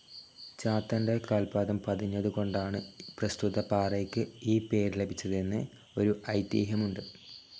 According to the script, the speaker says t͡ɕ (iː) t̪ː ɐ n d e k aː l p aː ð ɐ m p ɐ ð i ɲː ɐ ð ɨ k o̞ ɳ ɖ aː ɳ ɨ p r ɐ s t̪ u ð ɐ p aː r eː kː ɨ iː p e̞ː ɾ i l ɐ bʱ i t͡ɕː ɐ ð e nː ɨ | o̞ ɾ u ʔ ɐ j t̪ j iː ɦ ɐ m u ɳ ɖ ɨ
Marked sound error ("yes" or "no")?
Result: yes